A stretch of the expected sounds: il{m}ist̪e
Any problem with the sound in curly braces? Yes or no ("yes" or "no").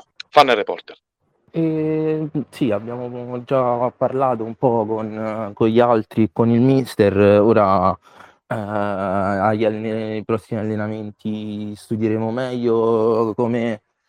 no